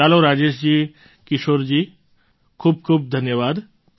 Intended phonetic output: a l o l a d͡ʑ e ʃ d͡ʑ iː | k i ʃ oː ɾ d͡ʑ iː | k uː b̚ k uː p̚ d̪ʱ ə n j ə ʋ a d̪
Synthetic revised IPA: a l o ɾ a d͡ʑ e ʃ d͡ʑ iː | k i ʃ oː ɾ d͡ʑ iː | kʰ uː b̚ kʰ uː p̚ d̪ʱ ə n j ə ʋ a d̪